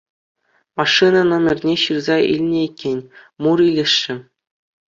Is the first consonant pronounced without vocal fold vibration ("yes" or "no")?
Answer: no